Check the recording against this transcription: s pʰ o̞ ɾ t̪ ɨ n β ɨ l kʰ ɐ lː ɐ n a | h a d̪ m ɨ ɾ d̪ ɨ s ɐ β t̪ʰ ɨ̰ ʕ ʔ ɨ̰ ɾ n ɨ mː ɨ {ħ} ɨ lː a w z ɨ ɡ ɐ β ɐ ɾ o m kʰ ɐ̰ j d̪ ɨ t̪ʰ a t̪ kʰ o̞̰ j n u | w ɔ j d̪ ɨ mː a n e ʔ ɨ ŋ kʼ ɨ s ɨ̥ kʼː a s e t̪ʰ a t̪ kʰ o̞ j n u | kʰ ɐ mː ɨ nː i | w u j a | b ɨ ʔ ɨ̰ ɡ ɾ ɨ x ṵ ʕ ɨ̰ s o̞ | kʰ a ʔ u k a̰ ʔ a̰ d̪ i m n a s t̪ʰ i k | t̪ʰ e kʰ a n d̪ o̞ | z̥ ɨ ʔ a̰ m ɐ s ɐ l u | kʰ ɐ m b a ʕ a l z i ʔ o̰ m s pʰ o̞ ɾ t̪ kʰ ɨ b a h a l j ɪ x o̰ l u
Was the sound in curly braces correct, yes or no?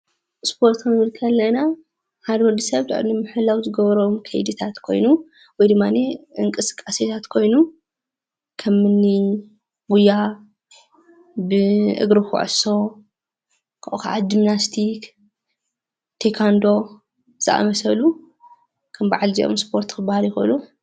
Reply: yes